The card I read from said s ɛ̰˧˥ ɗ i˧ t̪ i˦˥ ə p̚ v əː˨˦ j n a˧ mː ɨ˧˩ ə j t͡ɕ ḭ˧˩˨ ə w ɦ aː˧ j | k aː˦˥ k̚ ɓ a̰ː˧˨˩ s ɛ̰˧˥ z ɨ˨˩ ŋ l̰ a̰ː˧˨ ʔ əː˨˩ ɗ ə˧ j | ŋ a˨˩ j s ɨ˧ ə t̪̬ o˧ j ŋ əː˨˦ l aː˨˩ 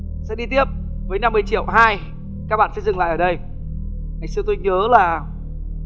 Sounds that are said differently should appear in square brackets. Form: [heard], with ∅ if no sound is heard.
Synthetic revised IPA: s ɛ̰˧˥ ɗ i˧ t̪ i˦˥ ə p̚ v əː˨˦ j n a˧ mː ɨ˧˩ ə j t͡ɕ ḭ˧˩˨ ə w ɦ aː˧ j | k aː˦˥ k̚ ɓ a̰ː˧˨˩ s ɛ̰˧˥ z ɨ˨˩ ŋ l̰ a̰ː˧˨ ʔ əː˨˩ ɗ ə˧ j | ŋ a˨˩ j s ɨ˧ ə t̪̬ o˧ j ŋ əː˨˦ l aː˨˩